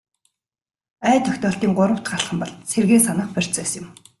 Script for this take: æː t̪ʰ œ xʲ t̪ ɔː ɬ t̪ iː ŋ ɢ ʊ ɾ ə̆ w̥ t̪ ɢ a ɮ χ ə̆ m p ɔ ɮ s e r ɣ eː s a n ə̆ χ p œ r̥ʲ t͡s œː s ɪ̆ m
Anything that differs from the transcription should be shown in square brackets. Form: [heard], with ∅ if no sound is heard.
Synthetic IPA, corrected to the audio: æː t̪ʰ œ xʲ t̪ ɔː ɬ t̪ iː ŋ ɢ ʊ ɾ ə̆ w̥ t̪ ɢ a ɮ χ ə̆ m p ɔ ɮ s e r ɣ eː s a n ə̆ χ p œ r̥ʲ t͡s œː s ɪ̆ m

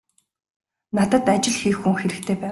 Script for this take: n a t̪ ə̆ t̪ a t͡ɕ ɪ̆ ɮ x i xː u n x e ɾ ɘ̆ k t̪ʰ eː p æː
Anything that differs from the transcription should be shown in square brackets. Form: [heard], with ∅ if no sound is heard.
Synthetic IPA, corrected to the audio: n a t̪ ə̆ t̪ a t͡ɕ ɪ̆ ɮ x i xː u [ŋ] x e ɾ ɘ̆ k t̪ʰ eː p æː

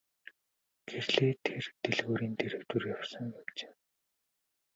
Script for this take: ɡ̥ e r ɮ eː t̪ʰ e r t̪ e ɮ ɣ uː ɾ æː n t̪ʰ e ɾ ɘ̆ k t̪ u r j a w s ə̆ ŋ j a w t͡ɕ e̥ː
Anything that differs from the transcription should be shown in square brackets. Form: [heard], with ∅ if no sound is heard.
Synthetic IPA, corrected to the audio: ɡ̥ e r ɮ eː t̪ʰ e r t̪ e ɮ ɣ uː ɾ [iː] n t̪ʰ e ɾ ɘ̆ k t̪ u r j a w s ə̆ ŋ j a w t͡ɕ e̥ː

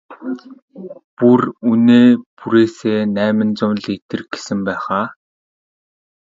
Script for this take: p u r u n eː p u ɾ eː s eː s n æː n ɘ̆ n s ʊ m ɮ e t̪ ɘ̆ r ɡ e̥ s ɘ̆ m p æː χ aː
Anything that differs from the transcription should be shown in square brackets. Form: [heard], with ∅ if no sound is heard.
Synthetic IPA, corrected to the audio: p u r u n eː p u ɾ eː s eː [∅] n æː [m] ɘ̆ n [t͡s] ʊ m ɮ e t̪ ɘ̆ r ɡ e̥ s ɘ̆ m p æː χ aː

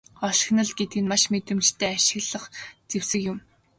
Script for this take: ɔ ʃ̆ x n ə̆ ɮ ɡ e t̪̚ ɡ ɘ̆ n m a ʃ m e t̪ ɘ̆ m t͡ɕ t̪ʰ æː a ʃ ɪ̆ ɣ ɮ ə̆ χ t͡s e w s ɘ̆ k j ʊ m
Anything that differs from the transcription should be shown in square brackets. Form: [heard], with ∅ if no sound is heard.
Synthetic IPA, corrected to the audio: ɔ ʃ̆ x n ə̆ ɮ ɡ e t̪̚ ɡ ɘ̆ n m a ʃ m e t̪ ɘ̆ m t͡ɕ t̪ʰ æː a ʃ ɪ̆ ɣ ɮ ə̆ χ t͡s e w s ɘ̆ k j ʊ m

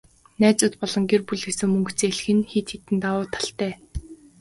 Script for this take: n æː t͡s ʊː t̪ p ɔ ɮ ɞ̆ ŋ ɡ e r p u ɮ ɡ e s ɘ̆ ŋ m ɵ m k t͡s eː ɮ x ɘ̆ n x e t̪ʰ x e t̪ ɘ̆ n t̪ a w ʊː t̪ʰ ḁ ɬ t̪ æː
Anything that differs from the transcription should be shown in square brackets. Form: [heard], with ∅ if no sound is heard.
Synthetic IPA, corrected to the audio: n æː t͡s ʊː t̪ p ɔ ɮ ɞ̆ ŋ ɡ e r p u ɮ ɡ e s ɘ̆ ŋ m ɵ [ŋ] k t͡s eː ɮ x ɘ̆ n x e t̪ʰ x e t̪ ɘ̆ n t̪ a w ʊː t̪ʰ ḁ ɬ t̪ æː

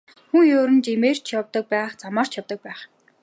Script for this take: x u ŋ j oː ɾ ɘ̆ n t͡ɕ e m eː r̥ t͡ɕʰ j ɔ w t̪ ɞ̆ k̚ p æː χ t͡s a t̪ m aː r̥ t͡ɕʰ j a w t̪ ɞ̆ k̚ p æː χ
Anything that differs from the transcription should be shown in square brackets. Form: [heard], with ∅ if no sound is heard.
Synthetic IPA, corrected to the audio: x u ŋ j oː ɾ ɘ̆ n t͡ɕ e m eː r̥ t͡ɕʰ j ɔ w t̪ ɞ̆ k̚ p æː χ t͡s a [∅] m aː r̥ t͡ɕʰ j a w t̪ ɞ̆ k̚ p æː χ

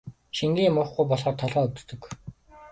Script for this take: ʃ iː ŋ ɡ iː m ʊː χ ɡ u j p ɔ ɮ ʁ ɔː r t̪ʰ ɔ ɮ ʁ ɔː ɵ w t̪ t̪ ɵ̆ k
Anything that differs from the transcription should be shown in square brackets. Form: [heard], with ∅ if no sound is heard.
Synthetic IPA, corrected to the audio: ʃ [i] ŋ ɡ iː m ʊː χ ɡ u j p ɔ ɮ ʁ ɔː r t̪ʰ ɔ ɮ ʁ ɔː ɵ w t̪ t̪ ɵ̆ k

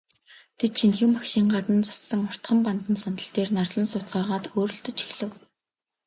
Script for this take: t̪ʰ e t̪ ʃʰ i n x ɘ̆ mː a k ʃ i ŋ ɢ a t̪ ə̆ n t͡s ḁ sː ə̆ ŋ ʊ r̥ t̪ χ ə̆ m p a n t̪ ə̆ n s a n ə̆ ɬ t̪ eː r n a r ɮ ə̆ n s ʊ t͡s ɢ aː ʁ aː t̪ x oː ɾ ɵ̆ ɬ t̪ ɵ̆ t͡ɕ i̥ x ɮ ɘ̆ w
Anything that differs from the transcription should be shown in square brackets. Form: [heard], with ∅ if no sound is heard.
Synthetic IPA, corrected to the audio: t̪ʰ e t̪ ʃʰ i n x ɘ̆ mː a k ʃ [iː] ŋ ɢ a t̪ ə̆ n t͡s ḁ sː ə̆ ŋ ʊ r̥ t̪ χ ə̆ m p a n t̪ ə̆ n s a n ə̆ ɬ t̪ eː r n a r ɮ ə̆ n s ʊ t͡s ɢ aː ʁ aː t̪ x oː ɾ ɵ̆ ɬ t̪ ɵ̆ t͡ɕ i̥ x ɮ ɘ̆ w

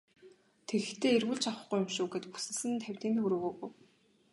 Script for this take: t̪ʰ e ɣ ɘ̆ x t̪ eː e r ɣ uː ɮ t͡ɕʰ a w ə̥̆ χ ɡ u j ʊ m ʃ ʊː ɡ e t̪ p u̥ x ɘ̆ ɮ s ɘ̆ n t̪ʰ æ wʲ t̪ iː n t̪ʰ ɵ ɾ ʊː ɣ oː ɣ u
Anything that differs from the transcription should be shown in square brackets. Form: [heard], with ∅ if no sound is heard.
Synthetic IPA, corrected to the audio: t̪ʰ e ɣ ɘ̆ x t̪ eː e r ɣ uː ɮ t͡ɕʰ a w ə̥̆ χ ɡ u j ʊ m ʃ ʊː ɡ e t̪ p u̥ [s] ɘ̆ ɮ s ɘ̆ n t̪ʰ æ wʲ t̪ iː n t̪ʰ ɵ ɾ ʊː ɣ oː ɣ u

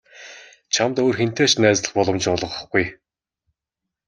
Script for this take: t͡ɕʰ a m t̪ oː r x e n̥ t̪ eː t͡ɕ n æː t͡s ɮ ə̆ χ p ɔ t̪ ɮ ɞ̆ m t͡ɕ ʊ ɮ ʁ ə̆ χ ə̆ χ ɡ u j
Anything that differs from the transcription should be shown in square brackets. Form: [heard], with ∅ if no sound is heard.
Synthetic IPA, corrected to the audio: t͡ɕʰ a m t̪ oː r x e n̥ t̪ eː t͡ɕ n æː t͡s ɮ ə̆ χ p ɔ [∅] ɮ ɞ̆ m t͡ɕ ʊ ɮ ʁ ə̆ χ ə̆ χ ɡ u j

